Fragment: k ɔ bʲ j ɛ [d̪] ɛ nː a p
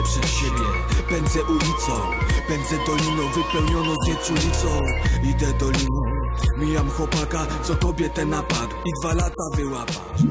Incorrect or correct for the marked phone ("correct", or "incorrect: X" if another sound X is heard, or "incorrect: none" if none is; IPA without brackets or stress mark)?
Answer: incorrect: t̪